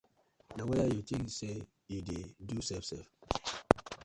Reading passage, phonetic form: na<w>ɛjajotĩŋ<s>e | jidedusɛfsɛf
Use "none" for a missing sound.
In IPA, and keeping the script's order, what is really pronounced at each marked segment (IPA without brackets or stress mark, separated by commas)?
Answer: w, s